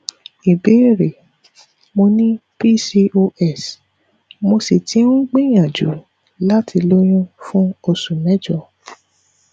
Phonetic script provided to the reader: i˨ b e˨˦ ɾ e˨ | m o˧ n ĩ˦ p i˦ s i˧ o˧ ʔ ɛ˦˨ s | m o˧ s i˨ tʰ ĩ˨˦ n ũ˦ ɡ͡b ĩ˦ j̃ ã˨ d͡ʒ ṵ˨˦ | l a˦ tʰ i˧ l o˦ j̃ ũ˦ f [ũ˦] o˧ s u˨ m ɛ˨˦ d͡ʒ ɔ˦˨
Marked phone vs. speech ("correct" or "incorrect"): correct